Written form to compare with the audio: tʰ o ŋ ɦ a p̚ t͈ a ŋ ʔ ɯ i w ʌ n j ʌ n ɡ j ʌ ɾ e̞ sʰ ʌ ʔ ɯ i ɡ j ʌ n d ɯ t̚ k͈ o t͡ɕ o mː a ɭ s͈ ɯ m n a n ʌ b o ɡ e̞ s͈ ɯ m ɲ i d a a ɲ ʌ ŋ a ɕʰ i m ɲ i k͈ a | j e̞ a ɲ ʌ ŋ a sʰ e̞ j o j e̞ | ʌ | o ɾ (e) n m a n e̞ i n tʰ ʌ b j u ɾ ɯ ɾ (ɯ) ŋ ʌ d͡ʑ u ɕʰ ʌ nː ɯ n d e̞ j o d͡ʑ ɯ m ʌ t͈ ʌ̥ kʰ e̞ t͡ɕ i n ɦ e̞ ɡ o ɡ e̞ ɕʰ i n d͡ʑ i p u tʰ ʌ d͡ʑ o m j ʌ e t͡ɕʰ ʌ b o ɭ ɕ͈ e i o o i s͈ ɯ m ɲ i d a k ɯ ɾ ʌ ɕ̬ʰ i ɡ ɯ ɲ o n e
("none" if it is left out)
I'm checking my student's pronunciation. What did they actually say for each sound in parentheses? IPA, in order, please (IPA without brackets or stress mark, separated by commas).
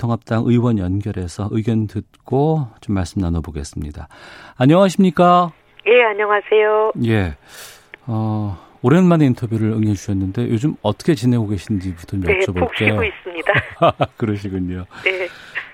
e, ɯ